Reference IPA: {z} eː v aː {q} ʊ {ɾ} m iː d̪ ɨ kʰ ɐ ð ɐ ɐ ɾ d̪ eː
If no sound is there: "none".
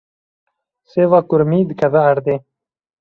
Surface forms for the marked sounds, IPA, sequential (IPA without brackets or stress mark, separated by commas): s, k, ɾ